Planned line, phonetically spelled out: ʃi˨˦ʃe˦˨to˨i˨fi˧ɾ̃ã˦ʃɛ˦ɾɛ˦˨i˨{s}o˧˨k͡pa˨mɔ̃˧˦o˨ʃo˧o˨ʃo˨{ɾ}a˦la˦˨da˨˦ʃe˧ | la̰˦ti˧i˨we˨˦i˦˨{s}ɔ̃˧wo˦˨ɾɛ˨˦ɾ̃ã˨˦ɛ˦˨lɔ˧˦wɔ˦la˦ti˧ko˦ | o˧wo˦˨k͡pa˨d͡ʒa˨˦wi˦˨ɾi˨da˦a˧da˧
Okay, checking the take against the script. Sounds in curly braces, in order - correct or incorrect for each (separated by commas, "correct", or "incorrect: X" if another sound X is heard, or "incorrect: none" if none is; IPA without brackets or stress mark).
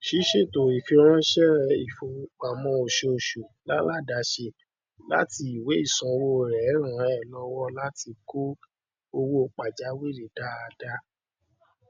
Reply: incorrect: f, incorrect: l, correct